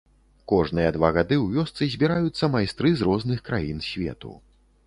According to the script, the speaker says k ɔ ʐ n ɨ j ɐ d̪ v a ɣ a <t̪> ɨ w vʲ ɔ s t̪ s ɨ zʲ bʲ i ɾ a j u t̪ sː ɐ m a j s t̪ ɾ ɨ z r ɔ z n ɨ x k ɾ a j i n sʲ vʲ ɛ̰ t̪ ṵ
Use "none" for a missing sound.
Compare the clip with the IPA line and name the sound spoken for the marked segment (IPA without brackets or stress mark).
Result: d̪